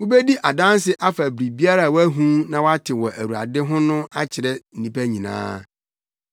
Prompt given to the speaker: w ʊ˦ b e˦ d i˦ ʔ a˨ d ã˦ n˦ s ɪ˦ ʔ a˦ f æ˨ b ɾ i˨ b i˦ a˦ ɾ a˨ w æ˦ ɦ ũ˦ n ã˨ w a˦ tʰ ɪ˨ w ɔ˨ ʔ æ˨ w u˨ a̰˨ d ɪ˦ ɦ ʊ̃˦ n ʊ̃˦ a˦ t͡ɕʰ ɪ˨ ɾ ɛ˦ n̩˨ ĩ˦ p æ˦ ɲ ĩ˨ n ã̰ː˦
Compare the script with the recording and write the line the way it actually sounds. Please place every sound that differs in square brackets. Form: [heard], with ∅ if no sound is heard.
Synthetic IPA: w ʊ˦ b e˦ d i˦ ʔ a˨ d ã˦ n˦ s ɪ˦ ʔ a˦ f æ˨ b ɾ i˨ b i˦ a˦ ɾ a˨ w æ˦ ɦ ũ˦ n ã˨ w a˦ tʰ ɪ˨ w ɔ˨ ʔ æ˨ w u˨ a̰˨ d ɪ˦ ɦ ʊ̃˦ n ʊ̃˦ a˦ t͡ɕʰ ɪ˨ ɾ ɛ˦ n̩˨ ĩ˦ p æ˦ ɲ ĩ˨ n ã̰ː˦